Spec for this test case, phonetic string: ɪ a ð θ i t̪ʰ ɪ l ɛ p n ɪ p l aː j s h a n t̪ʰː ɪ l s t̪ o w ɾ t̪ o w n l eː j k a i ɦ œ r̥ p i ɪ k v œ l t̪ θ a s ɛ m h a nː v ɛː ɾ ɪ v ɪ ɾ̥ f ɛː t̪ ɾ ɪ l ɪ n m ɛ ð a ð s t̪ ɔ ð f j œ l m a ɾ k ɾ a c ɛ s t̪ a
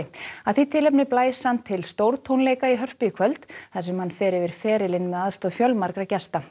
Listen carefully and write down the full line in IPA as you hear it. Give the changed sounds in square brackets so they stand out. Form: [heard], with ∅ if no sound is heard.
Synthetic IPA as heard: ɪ a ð θ i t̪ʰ ɪ l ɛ p n ɪ p l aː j s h a n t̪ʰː ɪ l s t̪ o w ɾ [t̪ʰ] o w n l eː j k a i ɦ œ r̥ p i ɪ [kʰ] v œ l t̪ θ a s ɛ m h a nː [f] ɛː ɾ ɪ v ɪ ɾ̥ f ɛː [∅] ɾ ɪ l ɪ n m ɛ ð a ð s t̪ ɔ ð f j œ l m a ɾ k ɾ a c ɛ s t̪ a

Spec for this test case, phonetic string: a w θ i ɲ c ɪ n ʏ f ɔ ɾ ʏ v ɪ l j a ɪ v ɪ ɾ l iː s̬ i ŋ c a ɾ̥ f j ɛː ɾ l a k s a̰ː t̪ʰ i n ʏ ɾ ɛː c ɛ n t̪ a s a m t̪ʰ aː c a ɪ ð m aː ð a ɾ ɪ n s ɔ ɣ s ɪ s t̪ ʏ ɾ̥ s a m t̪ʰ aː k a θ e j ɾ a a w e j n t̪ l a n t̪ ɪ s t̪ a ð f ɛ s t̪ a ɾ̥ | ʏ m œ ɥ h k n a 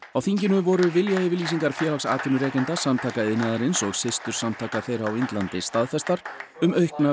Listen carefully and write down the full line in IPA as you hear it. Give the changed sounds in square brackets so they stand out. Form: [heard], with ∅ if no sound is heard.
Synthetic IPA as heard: a w θ i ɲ c ɪ n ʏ [v] ɔ ɾ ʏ v ɪ l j a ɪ v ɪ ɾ l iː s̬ i ŋ [k] a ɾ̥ f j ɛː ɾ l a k s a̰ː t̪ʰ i n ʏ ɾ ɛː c ɛ n t̪ a s a m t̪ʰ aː [k] a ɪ ð [n] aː ð a ɾ ɪ n s ɔ ɣ s ɪ s t̪ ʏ ɾ̥ s a m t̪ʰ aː k a θ e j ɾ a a w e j n t̪ l a n t̪ ɪ s t̪ a ð f ɛ s t̪ a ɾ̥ | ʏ m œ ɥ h k n a

